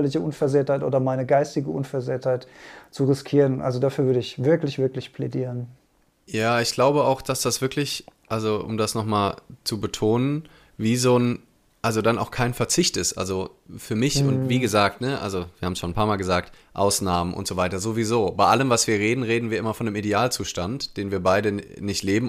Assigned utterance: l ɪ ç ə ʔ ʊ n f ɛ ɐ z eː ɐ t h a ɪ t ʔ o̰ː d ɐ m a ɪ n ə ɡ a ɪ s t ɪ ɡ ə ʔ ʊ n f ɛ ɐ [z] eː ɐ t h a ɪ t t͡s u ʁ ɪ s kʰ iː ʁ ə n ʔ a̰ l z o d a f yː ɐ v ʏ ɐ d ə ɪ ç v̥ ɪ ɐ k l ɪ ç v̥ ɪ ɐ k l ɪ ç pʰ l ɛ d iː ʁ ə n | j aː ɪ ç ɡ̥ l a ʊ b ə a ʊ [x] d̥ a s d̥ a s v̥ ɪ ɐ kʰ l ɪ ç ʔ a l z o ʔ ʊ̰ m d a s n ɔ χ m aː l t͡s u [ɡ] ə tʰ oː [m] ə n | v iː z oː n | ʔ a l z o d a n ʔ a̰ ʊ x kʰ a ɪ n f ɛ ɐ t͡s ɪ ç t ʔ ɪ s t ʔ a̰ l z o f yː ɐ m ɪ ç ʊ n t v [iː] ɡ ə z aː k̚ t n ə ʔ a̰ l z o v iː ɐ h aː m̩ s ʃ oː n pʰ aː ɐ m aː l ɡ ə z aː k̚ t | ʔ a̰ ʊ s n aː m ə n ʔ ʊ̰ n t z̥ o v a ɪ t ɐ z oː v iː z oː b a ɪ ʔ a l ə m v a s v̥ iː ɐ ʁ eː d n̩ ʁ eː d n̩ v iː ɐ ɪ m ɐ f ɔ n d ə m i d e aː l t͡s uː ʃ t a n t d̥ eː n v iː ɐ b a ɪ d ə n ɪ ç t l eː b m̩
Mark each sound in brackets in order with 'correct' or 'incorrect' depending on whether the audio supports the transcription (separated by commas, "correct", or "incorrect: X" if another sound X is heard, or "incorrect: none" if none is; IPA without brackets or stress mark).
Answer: correct, correct, incorrect: b, incorrect: n, correct